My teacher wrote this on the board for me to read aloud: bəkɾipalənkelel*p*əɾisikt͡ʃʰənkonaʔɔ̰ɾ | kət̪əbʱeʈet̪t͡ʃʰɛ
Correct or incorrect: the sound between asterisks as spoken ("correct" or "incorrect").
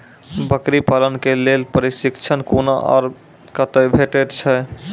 correct